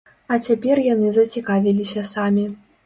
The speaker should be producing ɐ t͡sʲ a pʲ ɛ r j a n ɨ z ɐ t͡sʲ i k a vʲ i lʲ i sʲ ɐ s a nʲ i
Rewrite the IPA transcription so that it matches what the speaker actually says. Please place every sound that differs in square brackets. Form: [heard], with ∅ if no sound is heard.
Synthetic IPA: ɐ t͡sʲ a pʲ ɛ r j a n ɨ z ɐ t͡sʲ i k a vʲ i lʲ i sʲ ɐ s a [mʲ] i